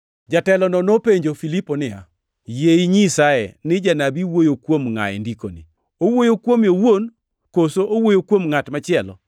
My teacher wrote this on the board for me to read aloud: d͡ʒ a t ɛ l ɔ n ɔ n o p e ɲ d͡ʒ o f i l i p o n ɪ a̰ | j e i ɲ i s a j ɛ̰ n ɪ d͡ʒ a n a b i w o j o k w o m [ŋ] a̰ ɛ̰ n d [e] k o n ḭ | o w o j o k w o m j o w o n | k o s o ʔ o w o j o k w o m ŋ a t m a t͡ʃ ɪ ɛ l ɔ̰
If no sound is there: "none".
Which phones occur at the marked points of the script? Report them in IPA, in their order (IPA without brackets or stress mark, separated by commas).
ŋ, i